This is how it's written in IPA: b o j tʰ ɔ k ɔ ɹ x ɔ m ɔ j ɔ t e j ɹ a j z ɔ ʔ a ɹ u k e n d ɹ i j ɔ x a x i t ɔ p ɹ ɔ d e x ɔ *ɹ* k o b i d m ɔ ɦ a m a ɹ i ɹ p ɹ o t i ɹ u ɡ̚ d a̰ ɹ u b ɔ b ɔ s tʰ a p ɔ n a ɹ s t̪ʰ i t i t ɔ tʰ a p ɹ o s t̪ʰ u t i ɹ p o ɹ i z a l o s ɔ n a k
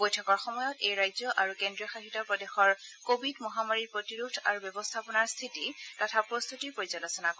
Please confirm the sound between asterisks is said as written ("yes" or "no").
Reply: yes